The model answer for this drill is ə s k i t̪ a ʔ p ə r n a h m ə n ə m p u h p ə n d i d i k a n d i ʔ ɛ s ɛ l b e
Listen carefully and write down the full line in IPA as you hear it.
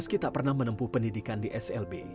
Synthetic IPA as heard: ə s k i t̪ a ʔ p ə r n a h m ə n ə m p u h p ə n d i d i k a n d i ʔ ɛ s ɛ l b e